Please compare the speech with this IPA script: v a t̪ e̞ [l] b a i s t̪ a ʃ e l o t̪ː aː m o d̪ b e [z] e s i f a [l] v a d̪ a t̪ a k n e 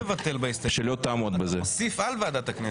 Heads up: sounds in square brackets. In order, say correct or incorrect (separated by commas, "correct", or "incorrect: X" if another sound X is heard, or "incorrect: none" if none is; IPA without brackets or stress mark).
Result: correct, correct, correct